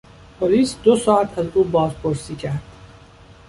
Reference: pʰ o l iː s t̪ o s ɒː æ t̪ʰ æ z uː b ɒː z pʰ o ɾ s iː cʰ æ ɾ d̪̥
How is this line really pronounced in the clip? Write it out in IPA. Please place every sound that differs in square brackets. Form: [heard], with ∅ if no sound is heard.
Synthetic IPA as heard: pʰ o l iː s [d̪] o s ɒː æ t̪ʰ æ z uː b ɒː z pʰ o ɾ s iː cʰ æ ɾ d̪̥